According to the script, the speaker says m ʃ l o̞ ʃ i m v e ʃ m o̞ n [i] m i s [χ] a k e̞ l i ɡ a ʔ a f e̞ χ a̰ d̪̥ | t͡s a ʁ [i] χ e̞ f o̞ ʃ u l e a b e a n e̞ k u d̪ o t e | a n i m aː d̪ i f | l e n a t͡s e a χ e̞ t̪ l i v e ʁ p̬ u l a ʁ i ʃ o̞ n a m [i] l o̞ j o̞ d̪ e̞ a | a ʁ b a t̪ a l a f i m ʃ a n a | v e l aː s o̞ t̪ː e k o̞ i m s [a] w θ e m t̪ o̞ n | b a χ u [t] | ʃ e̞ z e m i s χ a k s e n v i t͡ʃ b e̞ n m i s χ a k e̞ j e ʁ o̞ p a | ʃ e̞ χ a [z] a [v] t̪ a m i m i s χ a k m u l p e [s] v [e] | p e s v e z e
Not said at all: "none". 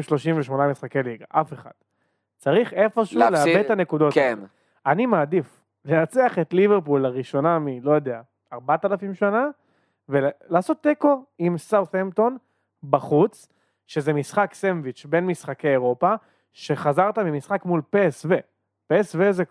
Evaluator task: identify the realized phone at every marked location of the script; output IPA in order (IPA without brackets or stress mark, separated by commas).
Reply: a, χ, i, i, a, t͡s, z, ʁ, s, e